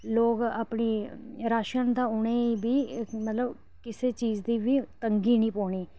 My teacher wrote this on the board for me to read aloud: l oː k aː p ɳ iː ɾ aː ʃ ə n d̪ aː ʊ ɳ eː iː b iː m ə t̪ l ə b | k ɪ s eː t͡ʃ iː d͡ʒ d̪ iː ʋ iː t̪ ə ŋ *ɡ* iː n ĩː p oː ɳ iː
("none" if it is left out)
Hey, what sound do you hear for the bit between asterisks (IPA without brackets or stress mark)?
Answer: ɡ